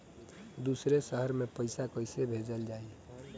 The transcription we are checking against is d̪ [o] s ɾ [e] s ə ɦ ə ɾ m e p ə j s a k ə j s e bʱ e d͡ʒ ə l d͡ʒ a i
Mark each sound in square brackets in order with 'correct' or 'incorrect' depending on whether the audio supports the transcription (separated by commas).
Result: incorrect, correct